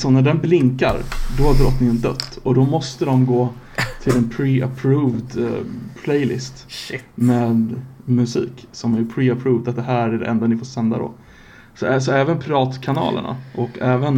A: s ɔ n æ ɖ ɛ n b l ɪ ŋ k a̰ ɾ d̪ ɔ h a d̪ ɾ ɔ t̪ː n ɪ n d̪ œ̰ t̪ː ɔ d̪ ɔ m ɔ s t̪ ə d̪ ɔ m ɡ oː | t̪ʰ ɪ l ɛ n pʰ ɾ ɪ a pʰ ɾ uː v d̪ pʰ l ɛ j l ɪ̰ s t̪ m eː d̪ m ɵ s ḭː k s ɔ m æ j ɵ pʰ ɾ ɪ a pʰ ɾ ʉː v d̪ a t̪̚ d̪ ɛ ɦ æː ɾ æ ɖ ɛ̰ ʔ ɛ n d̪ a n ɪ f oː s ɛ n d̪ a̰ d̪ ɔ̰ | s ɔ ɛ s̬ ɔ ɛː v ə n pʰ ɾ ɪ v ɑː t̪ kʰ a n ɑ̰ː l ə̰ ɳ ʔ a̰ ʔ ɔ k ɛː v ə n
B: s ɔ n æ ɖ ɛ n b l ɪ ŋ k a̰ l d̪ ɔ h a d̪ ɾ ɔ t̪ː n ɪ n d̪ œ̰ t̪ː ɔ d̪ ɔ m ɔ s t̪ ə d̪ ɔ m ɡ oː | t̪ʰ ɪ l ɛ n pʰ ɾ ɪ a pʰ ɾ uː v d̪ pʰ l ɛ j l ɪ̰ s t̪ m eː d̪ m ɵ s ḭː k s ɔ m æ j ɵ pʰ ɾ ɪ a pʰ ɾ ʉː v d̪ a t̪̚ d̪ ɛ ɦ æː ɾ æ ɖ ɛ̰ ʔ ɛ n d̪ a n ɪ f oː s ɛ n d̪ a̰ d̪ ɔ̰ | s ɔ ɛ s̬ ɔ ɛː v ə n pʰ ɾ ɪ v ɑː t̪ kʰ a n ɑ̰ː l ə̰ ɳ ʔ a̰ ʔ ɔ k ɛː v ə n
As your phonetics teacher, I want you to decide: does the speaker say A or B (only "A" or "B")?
A